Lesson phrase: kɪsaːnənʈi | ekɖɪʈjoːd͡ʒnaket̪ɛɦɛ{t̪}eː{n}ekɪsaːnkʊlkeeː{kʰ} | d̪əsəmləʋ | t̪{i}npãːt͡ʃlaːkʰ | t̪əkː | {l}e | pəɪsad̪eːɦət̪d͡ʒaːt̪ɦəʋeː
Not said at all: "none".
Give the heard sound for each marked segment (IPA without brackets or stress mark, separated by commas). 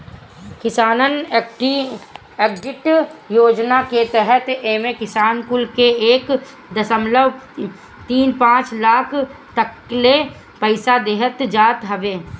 t̪, m, k, iː, l